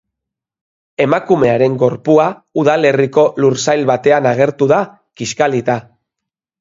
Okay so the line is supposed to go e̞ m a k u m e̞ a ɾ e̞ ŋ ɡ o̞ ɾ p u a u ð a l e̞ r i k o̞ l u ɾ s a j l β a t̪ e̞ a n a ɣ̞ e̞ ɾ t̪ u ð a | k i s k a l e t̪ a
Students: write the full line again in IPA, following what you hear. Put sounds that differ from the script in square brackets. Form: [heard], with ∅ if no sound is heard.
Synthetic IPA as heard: e̞ m a k u m e̞ a ɾ e̞ ŋ ɡ o̞ ɾ p u a u ð a l e̞ r i k o̞ l u ɾ s a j l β a t̪ e̞ a n a ɣ̞ e̞ ɾ t̪ u ð a | k i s k a l [i] t̪ a